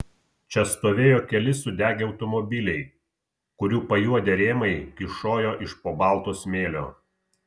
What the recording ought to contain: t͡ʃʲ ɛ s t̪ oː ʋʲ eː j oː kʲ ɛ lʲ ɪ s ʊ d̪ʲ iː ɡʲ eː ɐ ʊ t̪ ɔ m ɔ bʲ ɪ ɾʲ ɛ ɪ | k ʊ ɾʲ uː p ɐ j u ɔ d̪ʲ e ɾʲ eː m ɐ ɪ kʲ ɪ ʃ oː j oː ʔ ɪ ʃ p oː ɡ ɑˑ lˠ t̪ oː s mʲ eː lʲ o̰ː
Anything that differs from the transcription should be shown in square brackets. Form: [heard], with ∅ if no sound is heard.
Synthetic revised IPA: t͡ʃʲ ɛ s t̪ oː ʋʲ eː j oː kʲ ɛ lʲ ɪ s ʊ d̪ʲ [æː] ɡʲ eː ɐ ʊ t̪ ɔ m ɔ bʲ ɪ [lʲ] ɛ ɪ | k ʊ ɾʲ uː p ɐ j u ɔ d̪ʲ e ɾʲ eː m ɐ ɪ kʲ ɪ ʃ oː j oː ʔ ɪ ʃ p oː [b] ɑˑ lˠ t̪ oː s mʲ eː lʲ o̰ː

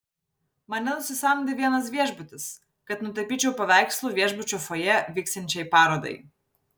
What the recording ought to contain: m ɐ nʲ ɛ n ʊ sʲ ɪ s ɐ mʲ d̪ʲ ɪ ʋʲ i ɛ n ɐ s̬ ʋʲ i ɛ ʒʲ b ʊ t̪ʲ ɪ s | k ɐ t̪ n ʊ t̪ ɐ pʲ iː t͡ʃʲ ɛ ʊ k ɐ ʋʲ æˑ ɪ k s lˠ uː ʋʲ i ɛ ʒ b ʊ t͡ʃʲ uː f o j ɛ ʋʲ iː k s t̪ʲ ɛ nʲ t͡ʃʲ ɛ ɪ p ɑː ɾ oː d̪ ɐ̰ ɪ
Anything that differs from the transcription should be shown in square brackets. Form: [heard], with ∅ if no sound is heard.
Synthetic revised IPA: m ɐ nʲ ɛ n ʊ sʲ ɪ s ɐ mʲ d̪ʲ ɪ ʋʲ i ɛ n ɐ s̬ ʋʲ i ɛ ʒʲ b ʊ t̪ʲ ɪ s | k ɐ t̪ n ʊ t̪ ɐ pʲ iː t͡ʃʲ ɛ ʊ [p] ɐ ʋʲ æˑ ɪ k s lˠ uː ʋʲ i ɛ ʒ b ʊ t͡ʃʲ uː f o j ɛ ʋʲ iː k s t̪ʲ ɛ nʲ t͡ʃʲ ɛ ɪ p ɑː ɾ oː d̪ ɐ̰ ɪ

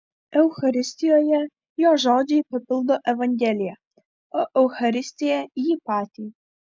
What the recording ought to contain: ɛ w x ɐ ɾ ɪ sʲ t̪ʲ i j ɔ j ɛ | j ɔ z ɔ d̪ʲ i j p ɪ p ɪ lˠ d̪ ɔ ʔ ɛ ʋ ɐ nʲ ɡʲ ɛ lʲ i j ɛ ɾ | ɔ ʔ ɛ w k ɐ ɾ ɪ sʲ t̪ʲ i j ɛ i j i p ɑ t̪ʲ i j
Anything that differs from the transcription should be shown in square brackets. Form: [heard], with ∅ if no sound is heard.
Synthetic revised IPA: ɛ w x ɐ ɾ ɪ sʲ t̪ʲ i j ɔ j ɛ | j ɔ [ʒ] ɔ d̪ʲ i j p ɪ p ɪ lˠ d̪ ɔ ʔ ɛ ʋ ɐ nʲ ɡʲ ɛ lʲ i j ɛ [∅] | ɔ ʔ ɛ w [x] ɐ ɾ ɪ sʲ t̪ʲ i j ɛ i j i p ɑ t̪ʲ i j

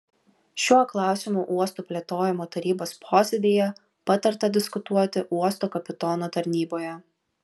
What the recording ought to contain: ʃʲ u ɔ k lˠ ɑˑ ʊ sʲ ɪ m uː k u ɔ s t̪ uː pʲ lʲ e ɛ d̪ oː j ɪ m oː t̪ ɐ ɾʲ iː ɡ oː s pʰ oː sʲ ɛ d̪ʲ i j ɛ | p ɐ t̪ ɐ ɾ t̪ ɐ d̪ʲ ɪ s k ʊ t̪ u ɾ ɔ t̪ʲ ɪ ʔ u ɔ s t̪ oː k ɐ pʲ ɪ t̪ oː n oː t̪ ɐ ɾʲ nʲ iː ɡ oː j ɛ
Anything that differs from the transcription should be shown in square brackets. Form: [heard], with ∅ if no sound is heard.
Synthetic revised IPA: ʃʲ u ɔ k lˠ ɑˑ ʊ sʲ ɪ m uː [ʔ] u ɔ s t̪ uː pʲ lʲ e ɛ [t̪] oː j ɪ m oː t̪ ɐ ɾʲ iː [b] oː s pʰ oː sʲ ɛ d̪ʲ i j ɛ | p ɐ t̪ ɐ ɾ t̪ ɐ d̪ʲ ɪ s k ʊ t̪ u [∅] ɔ t̪ʲ ɪ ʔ u ɔ s t̪ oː k ɐ pʲ ɪ t̪ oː n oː t̪ ɐ ɾʲ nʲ iː [b] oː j ɛ

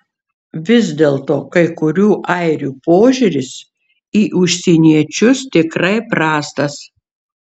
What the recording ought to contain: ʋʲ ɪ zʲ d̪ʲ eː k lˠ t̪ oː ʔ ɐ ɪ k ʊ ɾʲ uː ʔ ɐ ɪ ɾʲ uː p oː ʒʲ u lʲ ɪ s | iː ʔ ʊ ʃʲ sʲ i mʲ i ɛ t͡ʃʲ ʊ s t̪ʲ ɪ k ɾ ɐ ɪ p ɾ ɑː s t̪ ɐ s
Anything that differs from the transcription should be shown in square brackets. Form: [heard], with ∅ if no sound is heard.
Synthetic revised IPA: ʋʲ ɪ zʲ d̪ʲ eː [∅] lˠ t̪ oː [k] ɐ ɪ k ʊ ɾʲ uː ʔ ɐ ɪ ɾʲ uː p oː ʒʲ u [ɾʲ] ɪ s | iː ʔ ʊ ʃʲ sʲ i [nʲ] i ɛ t͡ʃʲ ʊ s t̪ʲ ɪ k ɾ ɐ ɪ p ɾ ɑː s t̪ ɐ s

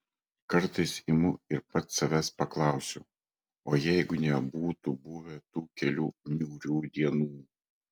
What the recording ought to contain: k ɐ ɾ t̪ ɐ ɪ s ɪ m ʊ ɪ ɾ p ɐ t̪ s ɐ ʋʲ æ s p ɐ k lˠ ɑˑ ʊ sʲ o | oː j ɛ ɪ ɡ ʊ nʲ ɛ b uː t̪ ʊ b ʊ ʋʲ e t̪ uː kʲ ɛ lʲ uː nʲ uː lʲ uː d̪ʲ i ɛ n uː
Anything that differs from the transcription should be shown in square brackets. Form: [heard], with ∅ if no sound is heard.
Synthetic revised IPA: k ɐ ɾ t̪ ɐ ɪ s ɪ m ʊ ɪ ɾ p ɐ t̪ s ɐ ʋʲ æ s p ɐ k lˠ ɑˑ ʊ sʲ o | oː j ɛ ɪ ɡ ʊ nʲ ɛ b uː t̪ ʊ b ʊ ʋʲ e t̪ uː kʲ ɛ lʲ uː nʲ uː [ɾʲ] uː d̪ʲ i ɛ n uː

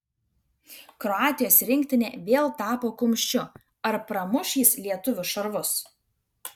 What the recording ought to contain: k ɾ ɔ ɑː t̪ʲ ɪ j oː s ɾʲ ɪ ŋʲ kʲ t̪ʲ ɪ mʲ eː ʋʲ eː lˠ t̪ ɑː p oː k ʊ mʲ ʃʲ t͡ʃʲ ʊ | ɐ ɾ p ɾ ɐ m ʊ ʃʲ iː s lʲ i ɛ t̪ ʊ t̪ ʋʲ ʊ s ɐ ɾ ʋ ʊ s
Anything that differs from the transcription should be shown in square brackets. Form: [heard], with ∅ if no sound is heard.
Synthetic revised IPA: k ɾ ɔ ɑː t̪ʲ ɪ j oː s ɾʲ ɪ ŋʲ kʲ t̪ʲ ɪ [nʲ] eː ʋʲ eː lˠ t̪ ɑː p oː k ʊ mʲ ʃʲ t͡ʃʲ ʊ | ɐ ɾ p ɾ ɐ m ʊ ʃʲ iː s lʲ i ɛ t̪ ʊ [∅] ʋʲ ʊ [ʃ] ɐ ɾ ʋ ʊ s

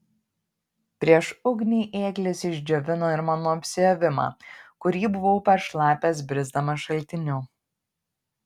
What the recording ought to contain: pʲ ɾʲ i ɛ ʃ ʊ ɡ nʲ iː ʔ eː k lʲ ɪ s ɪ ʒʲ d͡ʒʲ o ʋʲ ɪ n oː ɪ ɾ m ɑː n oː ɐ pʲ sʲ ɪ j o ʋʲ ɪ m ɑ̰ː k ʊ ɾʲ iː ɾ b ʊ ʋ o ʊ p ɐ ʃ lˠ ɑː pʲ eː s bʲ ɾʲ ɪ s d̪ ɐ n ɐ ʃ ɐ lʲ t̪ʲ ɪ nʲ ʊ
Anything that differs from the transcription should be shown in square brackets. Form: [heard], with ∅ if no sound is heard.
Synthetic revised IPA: pʲ ɾʲ i ɛ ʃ ʊ ɡ nʲ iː ʔ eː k lʲ ɪ s ɪ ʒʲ d͡ʒʲ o ʋʲ ɪ n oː ɪ ɾ m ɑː n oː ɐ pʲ sʲ ɪ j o ʋʲ ɪ m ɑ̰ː k ʊ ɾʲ iː [∅] b ʊ ʋ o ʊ p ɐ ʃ lˠ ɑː pʲ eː s bʲ ɾʲ ɪ [z] d̪ ɐ [m] ɐ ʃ ɐ lʲ t̪ʲ ɪ nʲ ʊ

